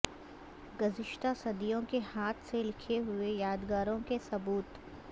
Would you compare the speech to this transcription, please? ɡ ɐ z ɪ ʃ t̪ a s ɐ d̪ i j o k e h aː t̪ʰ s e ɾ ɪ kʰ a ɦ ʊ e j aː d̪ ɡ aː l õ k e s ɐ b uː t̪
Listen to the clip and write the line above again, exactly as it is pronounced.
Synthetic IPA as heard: ɡ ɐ z ɪ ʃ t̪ a s ɐ d̪ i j õ k e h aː t̪ʰ s e l ɪ kʰ e ɦ ʊ e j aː d̪ ɡ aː ɾ õ k e s ɐ b uː t̪